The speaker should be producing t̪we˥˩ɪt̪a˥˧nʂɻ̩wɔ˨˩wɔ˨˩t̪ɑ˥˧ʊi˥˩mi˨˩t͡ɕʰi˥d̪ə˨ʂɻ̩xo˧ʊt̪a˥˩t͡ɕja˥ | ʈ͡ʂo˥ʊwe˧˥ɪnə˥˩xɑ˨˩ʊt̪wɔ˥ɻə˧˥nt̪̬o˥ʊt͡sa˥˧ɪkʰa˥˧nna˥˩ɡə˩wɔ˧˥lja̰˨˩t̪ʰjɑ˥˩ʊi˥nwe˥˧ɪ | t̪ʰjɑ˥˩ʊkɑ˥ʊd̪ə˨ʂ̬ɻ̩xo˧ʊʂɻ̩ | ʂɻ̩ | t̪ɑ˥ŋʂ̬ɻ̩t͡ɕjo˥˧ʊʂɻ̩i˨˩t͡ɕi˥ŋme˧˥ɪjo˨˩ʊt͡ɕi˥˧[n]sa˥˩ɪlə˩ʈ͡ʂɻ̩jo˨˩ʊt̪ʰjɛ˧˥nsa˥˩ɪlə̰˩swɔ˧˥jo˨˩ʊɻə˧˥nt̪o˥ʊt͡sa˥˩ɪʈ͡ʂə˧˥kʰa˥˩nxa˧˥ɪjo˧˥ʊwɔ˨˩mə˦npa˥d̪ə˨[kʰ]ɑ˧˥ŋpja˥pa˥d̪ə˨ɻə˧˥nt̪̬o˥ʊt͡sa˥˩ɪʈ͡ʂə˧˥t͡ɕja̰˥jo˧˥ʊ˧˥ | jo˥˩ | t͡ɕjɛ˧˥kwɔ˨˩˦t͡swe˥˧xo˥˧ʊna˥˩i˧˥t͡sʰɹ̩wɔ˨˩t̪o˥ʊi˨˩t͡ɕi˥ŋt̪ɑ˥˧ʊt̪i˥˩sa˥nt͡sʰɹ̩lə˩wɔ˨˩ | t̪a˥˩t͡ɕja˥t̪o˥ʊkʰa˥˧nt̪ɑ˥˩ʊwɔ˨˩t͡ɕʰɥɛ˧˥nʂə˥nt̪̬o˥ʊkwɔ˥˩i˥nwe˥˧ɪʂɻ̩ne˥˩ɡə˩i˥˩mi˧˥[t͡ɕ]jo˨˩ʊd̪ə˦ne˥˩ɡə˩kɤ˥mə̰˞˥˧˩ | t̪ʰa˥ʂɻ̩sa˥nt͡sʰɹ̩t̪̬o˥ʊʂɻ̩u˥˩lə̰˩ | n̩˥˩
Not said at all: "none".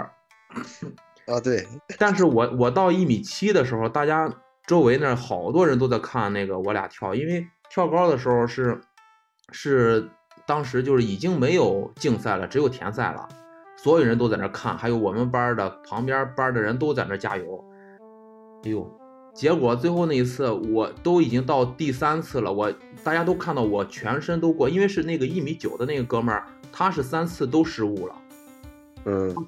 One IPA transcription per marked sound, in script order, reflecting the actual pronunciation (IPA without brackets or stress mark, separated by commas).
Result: ŋ, pʰ, t͡ɕ